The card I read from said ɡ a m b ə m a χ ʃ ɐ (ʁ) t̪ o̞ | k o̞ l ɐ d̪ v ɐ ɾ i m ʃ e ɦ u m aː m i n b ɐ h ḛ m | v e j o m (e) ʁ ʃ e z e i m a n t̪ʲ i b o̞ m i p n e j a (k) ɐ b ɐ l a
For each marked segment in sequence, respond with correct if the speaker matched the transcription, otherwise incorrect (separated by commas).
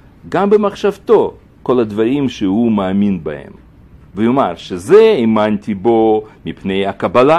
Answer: incorrect, incorrect, correct